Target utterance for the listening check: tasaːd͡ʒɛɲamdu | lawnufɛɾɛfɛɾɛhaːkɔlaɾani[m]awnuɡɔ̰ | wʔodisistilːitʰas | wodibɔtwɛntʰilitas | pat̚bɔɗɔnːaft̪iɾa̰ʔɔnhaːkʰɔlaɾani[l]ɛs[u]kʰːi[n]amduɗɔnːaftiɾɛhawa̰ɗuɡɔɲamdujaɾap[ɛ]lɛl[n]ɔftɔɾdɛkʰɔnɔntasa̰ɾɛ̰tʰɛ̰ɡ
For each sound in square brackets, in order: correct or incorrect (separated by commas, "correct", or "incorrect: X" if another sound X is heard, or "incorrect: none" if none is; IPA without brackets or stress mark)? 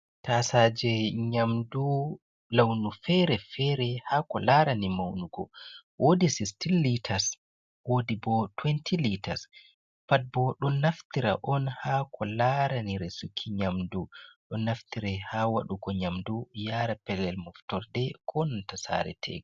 correct, incorrect: ɾ, correct, incorrect: ɲ, correct, incorrect: m